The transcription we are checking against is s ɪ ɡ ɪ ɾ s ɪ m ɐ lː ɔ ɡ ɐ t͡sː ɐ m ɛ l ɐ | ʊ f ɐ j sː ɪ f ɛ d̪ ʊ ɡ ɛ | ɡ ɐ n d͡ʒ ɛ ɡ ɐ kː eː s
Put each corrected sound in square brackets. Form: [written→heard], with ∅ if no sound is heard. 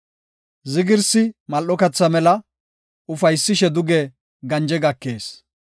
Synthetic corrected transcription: [s→z] ɪ ɡ ɪ ɾ s ɪ m ɐ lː ɔ [ɡ→k] ɐ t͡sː ɐ m ɛ l ɐ | ʊ f ɐ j sː ɪ [f→ʃ] ɛ d̪ ʊ ɡ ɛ | ɡ ɐ n d͡ʒ ɛ ɡ ɐ kː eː s